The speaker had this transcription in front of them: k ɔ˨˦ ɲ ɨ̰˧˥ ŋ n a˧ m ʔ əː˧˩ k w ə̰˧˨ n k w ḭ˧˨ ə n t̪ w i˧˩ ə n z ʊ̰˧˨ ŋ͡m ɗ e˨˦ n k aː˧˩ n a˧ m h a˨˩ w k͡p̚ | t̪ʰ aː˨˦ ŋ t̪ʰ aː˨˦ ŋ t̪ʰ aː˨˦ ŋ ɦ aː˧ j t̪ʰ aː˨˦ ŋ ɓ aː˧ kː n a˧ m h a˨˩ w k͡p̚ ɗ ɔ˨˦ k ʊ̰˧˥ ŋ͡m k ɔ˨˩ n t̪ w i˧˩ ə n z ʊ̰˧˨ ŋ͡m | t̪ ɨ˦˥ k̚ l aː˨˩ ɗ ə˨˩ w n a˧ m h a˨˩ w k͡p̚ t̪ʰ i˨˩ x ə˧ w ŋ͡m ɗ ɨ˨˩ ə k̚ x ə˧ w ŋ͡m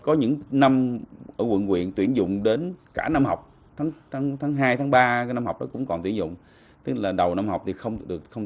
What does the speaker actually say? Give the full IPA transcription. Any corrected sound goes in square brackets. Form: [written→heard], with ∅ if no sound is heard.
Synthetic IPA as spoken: k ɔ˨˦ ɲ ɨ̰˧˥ ŋ n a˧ m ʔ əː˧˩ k w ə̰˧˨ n k w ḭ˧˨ ə n t̪ w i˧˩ ə n z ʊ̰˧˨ ŋ͡m ɗ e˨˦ n k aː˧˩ n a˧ m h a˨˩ w k͡p̚ | t̪ʰ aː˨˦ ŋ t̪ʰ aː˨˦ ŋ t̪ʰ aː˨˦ ŋ ɦ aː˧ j t̪ʰ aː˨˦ ŋ ɓ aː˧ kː n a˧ m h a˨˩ w k͡p̚ ɗ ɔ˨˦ k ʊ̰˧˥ ŋ͡m k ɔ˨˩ n t̪ w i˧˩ ə n z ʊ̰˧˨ ŋ͡m | t̪ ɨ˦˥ k̚ l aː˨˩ ɗ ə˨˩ w n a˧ m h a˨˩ w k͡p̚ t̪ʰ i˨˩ x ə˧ w ŋ͡m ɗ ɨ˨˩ ə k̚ x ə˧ w ŋ͡m

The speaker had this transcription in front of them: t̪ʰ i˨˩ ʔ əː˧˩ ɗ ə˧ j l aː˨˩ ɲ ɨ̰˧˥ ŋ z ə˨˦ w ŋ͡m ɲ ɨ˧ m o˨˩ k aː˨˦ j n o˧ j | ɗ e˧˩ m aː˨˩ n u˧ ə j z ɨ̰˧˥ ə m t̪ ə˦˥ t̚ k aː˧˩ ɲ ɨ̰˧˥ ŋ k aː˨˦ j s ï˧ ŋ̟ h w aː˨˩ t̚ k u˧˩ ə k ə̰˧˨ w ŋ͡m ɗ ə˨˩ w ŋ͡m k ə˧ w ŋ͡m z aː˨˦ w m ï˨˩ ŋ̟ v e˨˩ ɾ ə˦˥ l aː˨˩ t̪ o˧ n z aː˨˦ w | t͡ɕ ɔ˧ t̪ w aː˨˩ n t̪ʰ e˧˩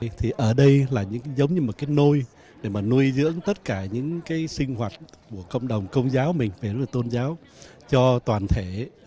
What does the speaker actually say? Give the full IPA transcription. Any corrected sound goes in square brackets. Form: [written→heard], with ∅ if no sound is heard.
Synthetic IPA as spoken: t̪ʰ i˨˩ ʔ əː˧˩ ɗ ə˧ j l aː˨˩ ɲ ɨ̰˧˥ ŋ z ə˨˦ w ŋ͡m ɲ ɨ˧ m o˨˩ k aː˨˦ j n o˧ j | ɗ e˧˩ m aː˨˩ n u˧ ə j z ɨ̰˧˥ ə [m→ŋ] t̪ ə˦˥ t̚ k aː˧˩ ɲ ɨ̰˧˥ ŋ k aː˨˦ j s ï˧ ŋ̟ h w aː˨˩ t̚ k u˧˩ ə k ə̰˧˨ w ŋ͡m ɗ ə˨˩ w ŋ͡m k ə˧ w ŋ͡m z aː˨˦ w m ï˨˩ ŋ̟ v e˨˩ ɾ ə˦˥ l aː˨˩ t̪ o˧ n z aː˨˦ w | t͡ɕ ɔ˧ t̪ w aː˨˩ n t̪ʰ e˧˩

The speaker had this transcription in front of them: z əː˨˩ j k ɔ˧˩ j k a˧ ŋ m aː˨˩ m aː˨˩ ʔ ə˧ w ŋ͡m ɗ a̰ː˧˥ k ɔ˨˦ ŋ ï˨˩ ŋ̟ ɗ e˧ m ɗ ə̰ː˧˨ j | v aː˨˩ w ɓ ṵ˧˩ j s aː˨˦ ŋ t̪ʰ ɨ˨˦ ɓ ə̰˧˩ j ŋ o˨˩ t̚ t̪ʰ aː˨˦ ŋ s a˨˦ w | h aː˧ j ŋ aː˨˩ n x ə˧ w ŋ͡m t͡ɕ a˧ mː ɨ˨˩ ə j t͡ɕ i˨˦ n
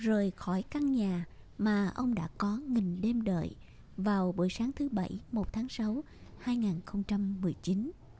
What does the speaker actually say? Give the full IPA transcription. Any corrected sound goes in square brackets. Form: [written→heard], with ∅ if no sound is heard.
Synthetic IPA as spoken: z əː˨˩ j [k→x] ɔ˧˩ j k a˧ ŋ [m→ɲ] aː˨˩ m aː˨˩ ʔ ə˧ w ŋ͡m ɗ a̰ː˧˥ k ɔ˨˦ ŋ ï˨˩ ŋ̟ ɗ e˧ m ɗ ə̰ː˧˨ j | v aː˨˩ w ɓ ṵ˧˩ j s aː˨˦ ŋ t̪ʰ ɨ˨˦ ɓ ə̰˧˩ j [ŋ→m] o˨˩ t̚ t̪ʰ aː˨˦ ŋ s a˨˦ w | h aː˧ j ŋ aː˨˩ n x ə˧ w ŋ͡m t͡ɕ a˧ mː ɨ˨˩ ə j t͡ɕ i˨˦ n

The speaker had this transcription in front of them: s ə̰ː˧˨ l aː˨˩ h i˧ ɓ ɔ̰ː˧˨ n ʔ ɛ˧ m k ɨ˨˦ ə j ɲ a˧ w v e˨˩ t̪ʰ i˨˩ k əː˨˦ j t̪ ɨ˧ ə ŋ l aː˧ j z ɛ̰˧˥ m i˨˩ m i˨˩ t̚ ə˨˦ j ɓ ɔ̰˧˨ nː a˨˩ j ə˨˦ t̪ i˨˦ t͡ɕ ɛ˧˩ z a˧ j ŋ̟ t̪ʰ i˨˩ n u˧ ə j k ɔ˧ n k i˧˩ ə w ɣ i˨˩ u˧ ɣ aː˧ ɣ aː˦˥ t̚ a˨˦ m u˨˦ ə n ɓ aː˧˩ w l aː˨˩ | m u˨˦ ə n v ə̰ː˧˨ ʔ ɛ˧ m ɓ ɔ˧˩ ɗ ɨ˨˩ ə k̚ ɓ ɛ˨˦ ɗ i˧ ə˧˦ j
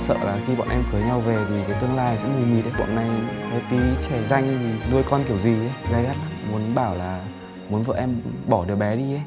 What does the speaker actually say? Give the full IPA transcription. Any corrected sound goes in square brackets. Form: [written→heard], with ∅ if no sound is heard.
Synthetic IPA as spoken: s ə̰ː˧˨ l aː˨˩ [h→x] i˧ ɓ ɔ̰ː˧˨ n ʔ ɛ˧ m k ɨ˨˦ ə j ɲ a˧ w v e˨˩ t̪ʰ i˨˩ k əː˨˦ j t̪ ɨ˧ ə ŋ l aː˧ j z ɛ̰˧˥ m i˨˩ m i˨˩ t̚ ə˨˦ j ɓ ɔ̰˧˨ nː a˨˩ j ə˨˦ t̪ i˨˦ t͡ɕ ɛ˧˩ z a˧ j ŋ̟ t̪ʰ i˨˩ n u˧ ə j k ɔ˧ n k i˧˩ ə w [ɣ→z] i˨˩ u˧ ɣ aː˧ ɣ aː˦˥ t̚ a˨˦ m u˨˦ ə n ɓ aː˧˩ w l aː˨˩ | m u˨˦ ə n v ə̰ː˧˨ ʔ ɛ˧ m ɓ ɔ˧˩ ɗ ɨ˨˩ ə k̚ ɓ ɛ˨˦ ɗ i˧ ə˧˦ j

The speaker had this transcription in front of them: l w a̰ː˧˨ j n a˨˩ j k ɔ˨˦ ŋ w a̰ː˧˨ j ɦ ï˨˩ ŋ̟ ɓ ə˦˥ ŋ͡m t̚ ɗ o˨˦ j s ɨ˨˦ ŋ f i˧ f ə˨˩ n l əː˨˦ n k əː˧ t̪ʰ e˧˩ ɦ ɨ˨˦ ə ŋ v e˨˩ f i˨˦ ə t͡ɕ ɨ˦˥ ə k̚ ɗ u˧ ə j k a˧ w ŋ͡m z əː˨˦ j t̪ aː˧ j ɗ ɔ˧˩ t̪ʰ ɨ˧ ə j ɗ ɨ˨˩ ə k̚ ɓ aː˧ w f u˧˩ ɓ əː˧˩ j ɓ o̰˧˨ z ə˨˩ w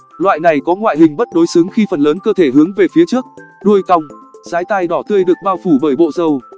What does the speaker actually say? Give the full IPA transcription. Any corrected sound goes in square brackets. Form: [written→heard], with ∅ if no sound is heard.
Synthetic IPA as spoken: l w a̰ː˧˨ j n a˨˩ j k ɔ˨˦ ŋ w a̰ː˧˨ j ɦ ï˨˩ ŋ̟ ɓ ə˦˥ [ŋ͡m→∅] t̚ ɗ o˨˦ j s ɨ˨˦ ŋ [f→x] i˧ f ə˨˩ n l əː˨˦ n k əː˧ t̪ʰ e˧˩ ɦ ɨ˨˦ ə ŋ v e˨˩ f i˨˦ ə t͡ɕ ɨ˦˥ ə k̚ ɗ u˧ ə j k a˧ w ŋ͡m z [əː˨˦→aː˨˦] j t̪ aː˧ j ɗ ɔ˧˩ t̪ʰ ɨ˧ ə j ɗ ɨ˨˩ ə k̚ ɓ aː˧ w f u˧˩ ɓ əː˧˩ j ɓ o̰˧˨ z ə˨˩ w

